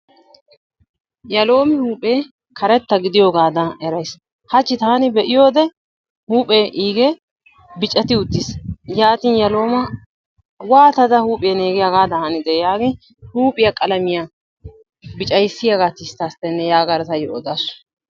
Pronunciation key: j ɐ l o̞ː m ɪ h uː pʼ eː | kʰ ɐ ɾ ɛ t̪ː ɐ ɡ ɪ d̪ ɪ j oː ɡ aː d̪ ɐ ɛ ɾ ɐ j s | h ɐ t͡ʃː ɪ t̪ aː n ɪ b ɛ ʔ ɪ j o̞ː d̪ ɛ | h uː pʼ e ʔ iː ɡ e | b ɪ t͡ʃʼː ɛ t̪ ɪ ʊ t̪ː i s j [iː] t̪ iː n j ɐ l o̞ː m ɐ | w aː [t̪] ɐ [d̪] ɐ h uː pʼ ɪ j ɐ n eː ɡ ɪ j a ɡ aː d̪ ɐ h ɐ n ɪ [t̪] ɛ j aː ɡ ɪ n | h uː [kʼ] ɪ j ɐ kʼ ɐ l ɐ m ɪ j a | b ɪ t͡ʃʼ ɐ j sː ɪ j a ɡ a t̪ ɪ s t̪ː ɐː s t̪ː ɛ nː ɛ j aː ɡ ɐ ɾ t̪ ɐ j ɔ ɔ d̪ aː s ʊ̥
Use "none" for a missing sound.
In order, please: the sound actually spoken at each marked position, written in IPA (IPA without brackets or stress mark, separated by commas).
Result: aː, t̪, d̪, d̪, pʼ